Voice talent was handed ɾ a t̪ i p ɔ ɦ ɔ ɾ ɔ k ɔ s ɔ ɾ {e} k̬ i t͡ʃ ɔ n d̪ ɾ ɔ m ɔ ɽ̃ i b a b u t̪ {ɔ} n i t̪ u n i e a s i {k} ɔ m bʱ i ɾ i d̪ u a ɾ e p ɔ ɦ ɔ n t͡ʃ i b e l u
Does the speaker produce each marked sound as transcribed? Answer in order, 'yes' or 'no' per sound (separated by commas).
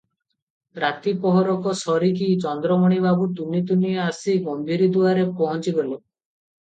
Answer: no, no, no